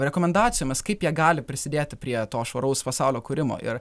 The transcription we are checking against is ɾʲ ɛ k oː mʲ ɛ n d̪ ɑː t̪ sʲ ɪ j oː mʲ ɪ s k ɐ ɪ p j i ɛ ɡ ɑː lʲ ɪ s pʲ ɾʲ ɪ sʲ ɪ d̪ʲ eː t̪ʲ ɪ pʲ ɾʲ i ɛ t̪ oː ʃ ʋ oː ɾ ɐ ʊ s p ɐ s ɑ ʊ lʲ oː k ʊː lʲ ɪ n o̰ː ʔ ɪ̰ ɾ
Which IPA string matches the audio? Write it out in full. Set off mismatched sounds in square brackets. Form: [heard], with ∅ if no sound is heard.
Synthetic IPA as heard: ɾʲ ɛ k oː mʲ ɛ n d̪ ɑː t̪ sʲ ɪ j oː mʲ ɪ s k ɐ ɪ p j i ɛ ɡ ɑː lʲ ɪ [∅] pʲ ɾʲ ɪ sʲ ɪ d̪ʲ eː t̪ʲ ɪ pʲ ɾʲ i ɛ t̪ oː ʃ ʋ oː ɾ ɐ ʊ s p ɐ s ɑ ʊ lʲ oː k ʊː [ɾʲ] ɪ [m] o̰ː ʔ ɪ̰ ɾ